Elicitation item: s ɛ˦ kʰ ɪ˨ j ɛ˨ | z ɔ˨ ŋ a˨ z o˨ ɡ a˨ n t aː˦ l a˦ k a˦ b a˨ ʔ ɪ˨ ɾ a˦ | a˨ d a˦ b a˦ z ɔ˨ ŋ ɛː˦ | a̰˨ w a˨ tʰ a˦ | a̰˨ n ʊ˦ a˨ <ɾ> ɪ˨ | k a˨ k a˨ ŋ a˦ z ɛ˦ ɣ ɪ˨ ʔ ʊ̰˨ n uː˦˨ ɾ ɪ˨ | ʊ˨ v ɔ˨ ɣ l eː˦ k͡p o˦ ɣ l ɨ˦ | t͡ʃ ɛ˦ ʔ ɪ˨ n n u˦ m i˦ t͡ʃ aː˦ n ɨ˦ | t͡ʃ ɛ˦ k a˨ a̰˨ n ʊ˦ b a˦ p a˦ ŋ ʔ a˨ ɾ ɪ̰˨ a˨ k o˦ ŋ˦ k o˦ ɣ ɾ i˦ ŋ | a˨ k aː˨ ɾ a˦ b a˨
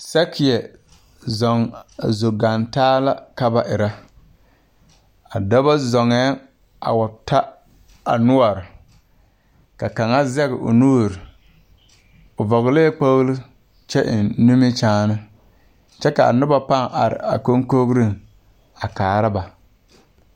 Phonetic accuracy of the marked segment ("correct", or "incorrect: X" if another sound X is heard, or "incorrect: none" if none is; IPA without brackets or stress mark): correct